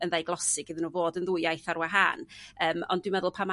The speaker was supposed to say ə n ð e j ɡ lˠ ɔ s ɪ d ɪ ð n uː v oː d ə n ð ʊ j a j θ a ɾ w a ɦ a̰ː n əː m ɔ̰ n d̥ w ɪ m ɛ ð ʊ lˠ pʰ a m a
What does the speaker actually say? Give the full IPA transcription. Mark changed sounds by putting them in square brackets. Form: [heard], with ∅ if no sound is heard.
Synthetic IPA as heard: ə n ð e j ɡ lˠ ɔ s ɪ [ɡ] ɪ ð n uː v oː d ə n ð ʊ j a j θ a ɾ w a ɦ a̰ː n əː m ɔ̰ n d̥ w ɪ m ɛ ð ʊ lˠ pʰ a m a